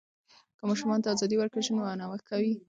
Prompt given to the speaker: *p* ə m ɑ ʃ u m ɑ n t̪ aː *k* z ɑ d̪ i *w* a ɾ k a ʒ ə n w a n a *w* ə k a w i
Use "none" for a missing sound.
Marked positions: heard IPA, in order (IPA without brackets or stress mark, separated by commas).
k, none, w, w